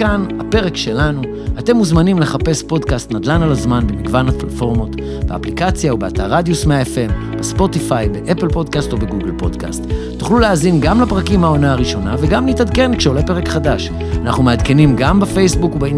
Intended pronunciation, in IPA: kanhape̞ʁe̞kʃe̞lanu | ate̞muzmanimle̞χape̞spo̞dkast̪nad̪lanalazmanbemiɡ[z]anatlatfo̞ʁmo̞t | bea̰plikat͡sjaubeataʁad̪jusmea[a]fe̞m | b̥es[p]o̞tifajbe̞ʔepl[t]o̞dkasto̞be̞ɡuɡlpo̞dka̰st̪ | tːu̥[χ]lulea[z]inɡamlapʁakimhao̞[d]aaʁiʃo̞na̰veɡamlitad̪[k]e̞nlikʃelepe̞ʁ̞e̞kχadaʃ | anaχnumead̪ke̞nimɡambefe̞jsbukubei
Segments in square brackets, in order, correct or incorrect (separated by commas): incorrect, incorrect, correct, incorrect, correct, correct, incorrect, correct